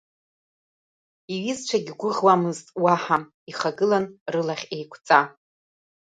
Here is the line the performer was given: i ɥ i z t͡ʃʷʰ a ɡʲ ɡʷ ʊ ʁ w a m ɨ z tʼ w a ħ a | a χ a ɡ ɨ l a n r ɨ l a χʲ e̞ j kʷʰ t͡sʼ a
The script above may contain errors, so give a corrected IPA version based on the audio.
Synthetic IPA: i ɥ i z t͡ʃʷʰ a ɡʲ ɡʷ ʊ ʁ w a m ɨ z tʼ w a ħ a | i χ a ɡ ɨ l a n r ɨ l a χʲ e̞ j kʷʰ t͡sʼ a